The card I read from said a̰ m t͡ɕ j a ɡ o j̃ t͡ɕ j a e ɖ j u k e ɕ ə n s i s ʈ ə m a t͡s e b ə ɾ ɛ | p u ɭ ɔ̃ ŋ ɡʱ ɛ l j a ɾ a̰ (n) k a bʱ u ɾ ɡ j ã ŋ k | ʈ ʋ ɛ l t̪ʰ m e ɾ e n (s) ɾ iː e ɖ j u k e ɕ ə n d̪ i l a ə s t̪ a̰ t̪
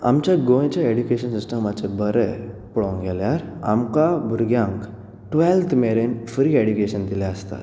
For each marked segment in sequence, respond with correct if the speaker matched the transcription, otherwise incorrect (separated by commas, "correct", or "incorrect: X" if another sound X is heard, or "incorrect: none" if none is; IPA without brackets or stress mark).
incorrect: m, incorrect: f